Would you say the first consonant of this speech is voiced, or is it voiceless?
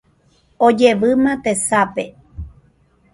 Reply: voiced